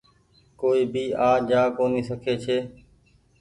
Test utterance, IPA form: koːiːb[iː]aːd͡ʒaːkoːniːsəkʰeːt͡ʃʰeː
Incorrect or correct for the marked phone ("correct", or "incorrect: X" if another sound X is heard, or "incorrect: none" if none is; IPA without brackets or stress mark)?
correct